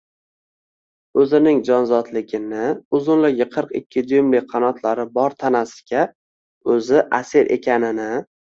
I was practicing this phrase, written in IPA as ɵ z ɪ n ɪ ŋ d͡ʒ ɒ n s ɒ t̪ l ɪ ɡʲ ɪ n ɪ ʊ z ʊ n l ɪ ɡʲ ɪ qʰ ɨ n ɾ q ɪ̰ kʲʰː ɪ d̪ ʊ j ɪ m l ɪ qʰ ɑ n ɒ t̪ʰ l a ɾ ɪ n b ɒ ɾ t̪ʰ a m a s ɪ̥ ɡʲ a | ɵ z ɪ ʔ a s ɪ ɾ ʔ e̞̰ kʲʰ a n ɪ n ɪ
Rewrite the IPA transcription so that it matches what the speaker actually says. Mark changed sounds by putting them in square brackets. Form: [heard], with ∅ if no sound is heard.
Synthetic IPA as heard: ɵ z ɪ n ɪ ŋ d͡ʒ ɒ n [z] ɒ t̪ l ɪ ɡʲ ɪ n ɪ ʊ z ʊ n l ɪ ɡʲ ɪ qʰ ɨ [∅] ɾ q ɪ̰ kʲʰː ɪ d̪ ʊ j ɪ m l ɪ qʰ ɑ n ɒ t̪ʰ l a ɾ ɪ [∅] b ɒ ɾ t̪ʰ a [n] a s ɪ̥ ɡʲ a | ɵ z ɪ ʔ a s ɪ ɾ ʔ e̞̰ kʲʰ a n ɪ n ɪ

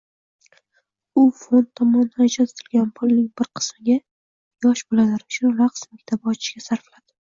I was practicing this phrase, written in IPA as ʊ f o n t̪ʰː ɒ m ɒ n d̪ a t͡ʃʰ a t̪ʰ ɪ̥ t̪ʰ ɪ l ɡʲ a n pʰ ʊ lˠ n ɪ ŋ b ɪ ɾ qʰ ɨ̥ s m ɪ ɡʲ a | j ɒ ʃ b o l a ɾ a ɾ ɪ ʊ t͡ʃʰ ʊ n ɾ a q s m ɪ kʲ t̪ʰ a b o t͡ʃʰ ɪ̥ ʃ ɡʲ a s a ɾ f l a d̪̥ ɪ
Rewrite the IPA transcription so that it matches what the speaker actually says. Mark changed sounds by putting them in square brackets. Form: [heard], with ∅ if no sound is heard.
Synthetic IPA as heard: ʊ f o n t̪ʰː ɒ m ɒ n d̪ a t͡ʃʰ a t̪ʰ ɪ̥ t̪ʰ ɪ l ɡʲ a n pʰ ʊ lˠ n ɪ ŋ b ɪ ɾ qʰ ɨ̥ s m ɪ ɡʲ a | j ɒ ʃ b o l a [l] a ɾ ɪ ʊ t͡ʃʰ ʊ n ɾ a q s m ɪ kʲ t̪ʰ a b [ɒ] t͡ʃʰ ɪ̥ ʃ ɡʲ a s a ɾ f l a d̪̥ ɪ

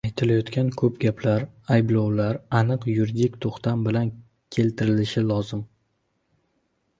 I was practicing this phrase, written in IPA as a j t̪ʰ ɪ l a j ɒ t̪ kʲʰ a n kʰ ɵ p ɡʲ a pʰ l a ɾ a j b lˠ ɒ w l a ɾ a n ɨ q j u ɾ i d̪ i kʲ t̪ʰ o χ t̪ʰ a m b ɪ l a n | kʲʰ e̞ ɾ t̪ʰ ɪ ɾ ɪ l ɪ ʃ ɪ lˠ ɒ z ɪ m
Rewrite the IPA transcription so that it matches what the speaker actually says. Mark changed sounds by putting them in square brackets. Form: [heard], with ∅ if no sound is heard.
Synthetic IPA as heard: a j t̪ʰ ɪ l a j ɒ t̪ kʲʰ a n kʰ ɵ p ɡʲ a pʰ l a ɾ a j b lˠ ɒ w l a ɾ a n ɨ q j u ɾ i d̪ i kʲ t̪ʰ o χ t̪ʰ a m b ɪ l a n | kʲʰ e̞ [l] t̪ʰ ɪ ɾ ɪ l ɪ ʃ ɪ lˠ ɒ z ɪ m

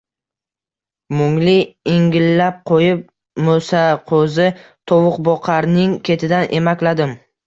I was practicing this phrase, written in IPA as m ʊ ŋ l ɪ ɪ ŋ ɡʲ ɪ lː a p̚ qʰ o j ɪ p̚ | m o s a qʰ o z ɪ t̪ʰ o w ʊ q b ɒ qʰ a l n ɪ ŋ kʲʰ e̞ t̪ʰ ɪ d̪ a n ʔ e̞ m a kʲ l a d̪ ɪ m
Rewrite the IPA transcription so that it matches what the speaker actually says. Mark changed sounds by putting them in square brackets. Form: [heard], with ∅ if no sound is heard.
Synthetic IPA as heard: m ʊ ŋ l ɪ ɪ ŋ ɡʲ ɪ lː a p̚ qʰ o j ɪ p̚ | m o s a qʰ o z ɪ t̪ʰ o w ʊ q b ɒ qʰ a [ɾ] n ɪ ŋ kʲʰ e̞ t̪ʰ ɪ d̪ a n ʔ e̞ m a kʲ l a d̪ ɪ m

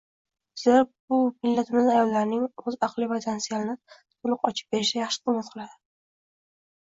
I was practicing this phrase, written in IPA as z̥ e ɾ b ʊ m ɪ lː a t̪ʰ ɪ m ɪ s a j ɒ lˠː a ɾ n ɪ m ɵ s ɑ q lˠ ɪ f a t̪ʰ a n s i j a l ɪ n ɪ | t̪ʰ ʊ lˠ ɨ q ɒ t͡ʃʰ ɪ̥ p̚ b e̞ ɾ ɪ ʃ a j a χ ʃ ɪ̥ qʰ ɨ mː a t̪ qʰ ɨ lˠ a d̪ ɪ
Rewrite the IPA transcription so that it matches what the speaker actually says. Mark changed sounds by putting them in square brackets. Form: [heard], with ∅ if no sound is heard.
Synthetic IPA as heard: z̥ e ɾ b ʊ m ɪ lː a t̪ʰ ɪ m ɪ [z] a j ɒ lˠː a ɾ n ɪ [ŋ] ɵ [z] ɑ q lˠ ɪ [v] a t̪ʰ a n s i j a l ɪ n ɪ | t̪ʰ ʊ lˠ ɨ q ɒ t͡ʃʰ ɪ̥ p̚ b e̞ ɾ ɪ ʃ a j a χ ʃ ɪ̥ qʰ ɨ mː a t̪ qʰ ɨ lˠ a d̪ ɪ

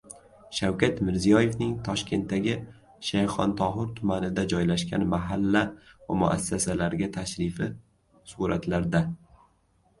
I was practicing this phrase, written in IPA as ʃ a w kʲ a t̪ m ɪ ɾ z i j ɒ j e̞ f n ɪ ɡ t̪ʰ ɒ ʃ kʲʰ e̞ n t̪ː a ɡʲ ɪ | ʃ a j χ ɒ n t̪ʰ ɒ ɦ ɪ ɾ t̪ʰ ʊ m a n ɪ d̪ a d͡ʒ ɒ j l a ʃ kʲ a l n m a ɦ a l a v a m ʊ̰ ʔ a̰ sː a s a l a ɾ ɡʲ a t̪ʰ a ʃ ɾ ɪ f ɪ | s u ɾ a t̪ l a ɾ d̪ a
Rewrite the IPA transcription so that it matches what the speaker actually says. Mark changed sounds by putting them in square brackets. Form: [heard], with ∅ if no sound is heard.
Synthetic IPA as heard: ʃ a w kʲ a t̪ m ɪ ɾ z i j ɒ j e̞ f n ɪ [ŋ] t̪ʰ ɒ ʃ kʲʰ e̞ n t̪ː a ɡʲ ɪ | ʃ a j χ ɒ n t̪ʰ ɒ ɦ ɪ ɾ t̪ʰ ʊ m a n ɪ d̪ a d͡ʒ ɒ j l a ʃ kʲ a [∅] n m a ɦ a [lː] a v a m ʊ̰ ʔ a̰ sː a s a l a ɾ ɡʲ a t̪ʰ a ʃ ɾ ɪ f ɪ | s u ɾ a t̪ l a ɾ d̪ a

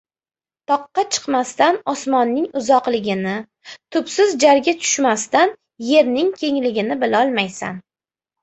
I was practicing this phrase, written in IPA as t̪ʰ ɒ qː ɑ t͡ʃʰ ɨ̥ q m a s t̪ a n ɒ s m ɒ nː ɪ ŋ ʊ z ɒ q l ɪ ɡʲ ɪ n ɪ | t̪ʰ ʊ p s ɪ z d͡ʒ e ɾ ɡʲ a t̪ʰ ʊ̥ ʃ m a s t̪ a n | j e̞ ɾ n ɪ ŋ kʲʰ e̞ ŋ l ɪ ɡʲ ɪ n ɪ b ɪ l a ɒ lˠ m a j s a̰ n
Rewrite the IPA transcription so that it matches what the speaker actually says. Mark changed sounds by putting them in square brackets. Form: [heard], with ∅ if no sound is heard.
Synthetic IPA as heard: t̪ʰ ɒ qː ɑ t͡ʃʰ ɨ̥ q m a s t̪ a n ɒ s m ɒ nː ɪ ŋ ʊ z ɒ q l ɪ ɡʲ ɪ n ɪ | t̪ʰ ʊ p s ɪ z d͡ʒ [a] ɾ ɡʲ a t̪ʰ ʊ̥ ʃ m a s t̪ a n | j e̞ ɾ n ɪ ŋ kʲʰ e̞ ŋ l ɪ ɡʲ ɪ n ɪ b ɪ l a ɒ lˠ m a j s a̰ n

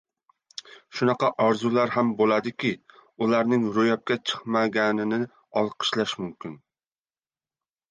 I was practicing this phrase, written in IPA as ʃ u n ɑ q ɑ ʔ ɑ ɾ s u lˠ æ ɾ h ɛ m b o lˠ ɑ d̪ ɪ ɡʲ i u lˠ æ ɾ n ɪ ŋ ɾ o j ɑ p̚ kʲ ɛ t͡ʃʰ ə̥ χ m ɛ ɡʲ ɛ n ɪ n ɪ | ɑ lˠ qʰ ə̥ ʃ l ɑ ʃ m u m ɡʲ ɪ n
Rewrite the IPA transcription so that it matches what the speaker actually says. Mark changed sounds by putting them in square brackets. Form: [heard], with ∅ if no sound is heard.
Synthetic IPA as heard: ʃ u n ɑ q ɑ ʔ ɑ ɾ [z] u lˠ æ ɾ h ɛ m b o lˠ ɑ d̪ ɪ [kʲ] i u lˠ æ ɾ n ɪ ŋ ɾ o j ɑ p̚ kʲ ɛ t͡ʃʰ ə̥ χ m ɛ ɡʲ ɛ n ɪ n ɪ | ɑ lˠ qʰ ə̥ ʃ l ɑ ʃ m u m [kʲ] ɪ n

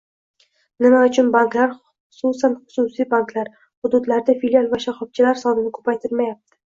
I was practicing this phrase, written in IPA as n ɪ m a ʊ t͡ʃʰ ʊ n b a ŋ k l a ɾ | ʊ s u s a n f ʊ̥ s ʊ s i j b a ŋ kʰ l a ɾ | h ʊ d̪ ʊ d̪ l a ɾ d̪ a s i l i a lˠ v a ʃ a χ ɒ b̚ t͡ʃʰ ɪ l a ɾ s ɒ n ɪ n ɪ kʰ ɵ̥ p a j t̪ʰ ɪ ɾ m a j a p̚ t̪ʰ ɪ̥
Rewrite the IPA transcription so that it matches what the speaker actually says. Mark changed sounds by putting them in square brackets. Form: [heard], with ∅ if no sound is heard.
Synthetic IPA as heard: n ɪ m a ʊ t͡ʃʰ ʊ n b a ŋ k l a ɾ | ʊ s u s a n [χ] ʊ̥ s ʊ s i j b a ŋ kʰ l a ɾ | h ʊ d̪ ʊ d̪ l a ɾ d̪ a [f] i l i a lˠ v a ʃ a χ ɒ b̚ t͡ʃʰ ɪ l a ɾ s ɒ n ɪ n ɪ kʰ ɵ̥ p a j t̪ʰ ɪ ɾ m a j a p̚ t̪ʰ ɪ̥

